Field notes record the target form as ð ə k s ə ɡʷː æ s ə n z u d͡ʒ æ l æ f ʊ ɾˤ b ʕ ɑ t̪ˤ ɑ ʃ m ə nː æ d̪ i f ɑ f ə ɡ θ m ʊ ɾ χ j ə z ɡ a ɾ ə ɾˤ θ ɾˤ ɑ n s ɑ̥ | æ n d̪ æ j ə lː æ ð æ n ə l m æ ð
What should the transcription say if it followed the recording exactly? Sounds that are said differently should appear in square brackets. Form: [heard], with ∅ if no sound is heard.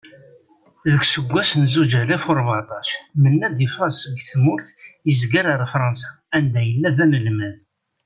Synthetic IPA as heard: ð ə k s ə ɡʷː æ s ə n z u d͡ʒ æ l æ f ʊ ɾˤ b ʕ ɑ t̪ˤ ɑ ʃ m ə nː æ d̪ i f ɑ [s] ə ɡ θ m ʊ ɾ [θ] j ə z ɡ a ɾ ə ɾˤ [f] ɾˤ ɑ n s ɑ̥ | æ n d̪ æ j ə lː æ ð æ n ə l m æ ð